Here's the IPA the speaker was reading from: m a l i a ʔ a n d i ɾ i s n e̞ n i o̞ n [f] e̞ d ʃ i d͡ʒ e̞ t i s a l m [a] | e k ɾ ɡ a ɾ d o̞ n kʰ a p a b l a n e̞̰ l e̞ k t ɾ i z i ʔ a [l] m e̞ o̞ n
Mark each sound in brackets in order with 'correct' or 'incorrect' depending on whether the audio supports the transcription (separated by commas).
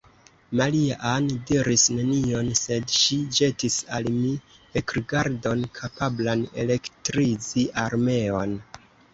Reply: incorrect, incorrect, incorrect